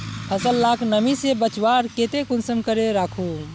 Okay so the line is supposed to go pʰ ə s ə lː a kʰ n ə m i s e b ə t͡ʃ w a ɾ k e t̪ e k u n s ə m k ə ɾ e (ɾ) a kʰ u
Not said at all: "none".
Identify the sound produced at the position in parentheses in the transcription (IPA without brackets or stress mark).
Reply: ɾ